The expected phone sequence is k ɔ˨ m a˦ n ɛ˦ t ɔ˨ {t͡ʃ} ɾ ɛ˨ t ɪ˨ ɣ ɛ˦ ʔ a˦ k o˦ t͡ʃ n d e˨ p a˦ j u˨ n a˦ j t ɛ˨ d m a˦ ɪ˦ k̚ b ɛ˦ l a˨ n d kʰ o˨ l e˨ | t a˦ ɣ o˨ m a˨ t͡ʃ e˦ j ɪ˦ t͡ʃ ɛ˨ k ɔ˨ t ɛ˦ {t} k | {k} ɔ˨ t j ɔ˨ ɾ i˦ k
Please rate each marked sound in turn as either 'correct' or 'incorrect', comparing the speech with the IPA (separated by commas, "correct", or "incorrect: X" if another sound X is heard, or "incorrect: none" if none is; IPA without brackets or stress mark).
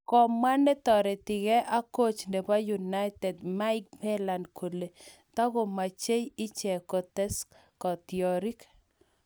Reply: incorrect: none, incorrect: s, correct